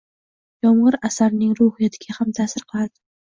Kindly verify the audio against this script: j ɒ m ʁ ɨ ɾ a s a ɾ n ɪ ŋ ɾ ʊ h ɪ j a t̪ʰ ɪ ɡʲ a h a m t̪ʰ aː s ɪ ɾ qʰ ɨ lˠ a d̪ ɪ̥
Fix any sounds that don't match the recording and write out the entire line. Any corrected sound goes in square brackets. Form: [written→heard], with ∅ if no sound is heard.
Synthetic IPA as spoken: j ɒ m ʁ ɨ ɾ a s a ɾ n ɪ ŋ ɾ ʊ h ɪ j a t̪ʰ ɪ ɡʲ a h a m t̪ʰ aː s ɪ ɾ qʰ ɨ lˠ a d̪ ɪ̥